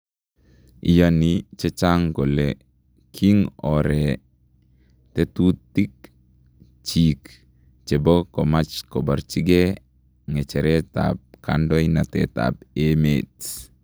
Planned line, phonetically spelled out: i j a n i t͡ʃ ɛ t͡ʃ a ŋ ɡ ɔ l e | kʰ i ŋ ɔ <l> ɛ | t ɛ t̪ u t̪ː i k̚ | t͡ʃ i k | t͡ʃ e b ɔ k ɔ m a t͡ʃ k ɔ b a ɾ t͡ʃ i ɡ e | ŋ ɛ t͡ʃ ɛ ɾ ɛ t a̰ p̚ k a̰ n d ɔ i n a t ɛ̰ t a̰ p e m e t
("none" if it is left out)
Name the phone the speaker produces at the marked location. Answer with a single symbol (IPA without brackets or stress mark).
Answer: ɾ